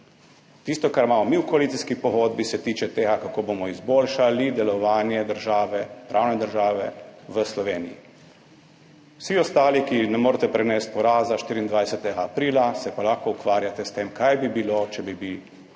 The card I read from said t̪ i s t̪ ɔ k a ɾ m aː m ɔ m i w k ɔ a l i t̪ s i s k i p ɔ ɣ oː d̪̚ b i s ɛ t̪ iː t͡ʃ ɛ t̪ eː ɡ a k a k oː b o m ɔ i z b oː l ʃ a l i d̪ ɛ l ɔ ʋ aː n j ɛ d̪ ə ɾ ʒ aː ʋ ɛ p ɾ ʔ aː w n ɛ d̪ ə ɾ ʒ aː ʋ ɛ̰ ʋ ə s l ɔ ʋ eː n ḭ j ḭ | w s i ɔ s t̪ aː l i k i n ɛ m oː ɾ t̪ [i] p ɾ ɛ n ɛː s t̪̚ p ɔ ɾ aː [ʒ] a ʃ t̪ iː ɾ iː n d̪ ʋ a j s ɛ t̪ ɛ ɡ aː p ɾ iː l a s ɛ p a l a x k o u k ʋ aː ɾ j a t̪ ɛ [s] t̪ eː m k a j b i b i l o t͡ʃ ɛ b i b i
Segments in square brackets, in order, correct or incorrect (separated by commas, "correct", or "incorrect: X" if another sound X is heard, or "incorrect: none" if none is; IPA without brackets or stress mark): incorrect: ɛ, incorrect: z, correct